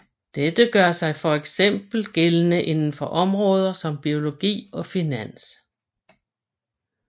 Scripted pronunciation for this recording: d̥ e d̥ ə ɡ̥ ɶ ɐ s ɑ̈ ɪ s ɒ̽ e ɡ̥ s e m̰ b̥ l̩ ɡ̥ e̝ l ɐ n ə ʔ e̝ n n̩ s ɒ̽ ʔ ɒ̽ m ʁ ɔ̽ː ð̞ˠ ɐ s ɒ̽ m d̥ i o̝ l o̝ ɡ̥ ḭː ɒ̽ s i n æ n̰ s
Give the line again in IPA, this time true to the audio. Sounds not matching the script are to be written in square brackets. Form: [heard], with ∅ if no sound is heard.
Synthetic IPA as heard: d̥ e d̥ ə ɡ̥ ɶ ɐ s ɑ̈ ɪ [f] ɒ̽ e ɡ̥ s e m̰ b̥ l̩ ɡ̥ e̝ l [ə] n ə ʔ e̝ n n̩ [f] ɒ̽ ʔ ɒ̽ m ʁ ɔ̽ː ð̞ˠ ɐ s ɒ̽ m [b̥] i o̝ l o̝ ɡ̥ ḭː ɒ̽ [f] i n æ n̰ s